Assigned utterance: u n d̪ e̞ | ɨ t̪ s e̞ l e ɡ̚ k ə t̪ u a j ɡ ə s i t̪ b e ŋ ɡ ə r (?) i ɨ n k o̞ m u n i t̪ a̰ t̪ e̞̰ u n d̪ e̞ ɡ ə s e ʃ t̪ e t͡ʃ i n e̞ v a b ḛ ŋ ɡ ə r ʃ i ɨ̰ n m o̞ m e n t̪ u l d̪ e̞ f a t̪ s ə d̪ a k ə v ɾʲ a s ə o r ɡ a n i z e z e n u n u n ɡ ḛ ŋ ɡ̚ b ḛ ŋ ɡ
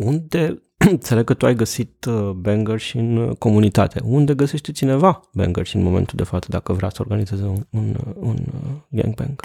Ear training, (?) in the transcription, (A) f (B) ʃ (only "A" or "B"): B